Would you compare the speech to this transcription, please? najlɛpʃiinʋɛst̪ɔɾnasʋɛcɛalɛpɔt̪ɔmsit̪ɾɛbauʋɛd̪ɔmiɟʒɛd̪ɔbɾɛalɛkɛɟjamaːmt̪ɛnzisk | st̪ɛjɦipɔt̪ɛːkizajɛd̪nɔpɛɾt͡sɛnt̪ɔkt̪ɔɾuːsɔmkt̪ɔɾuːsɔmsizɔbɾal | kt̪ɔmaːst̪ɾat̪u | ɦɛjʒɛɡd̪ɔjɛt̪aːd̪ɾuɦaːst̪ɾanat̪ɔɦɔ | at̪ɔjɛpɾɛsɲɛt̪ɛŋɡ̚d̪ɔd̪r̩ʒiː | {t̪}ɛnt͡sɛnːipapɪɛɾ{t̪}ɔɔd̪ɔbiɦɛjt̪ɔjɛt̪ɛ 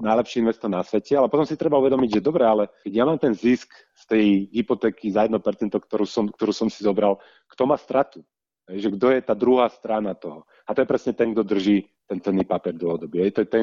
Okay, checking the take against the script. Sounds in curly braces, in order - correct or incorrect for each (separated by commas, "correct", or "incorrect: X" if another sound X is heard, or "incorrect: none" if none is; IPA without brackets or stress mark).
correct, incorrect: d̪